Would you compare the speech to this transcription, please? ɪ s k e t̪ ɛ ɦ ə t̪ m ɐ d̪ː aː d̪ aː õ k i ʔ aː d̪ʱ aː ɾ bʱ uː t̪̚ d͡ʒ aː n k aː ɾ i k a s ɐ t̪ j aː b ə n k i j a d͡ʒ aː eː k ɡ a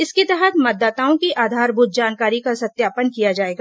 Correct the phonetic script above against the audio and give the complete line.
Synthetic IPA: ɪ s k e t̪ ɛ ɦ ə t̪ m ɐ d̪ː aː t̪ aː õ k i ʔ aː d̪ʱ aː ɾ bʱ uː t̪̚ d͡ʒ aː n k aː ɾ i k a s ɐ t̪ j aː p ə n k i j a d͡ʒ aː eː ɡ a